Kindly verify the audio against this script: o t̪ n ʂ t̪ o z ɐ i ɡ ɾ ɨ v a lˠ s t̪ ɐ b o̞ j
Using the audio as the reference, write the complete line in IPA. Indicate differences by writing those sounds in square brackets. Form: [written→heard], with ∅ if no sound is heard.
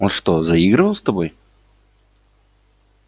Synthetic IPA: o [t̪→∅] n ʂ t̪ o z ɐ i ɡ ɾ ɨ v [a→ə] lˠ s t̪ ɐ b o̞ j